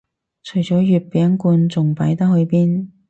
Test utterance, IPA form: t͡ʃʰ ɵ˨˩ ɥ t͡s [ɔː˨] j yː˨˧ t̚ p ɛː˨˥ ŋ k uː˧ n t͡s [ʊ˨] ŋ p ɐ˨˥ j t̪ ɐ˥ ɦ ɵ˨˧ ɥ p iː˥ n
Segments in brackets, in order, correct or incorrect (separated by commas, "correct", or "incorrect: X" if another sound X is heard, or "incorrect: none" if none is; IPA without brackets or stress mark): incorrect: ɔː˨˥, correct